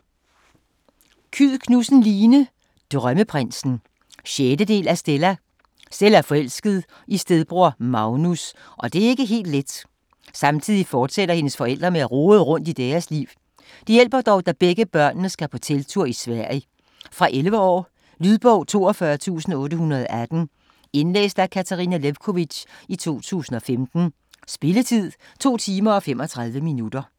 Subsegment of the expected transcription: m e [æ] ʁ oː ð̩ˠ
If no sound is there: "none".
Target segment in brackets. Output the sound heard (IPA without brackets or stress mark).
æ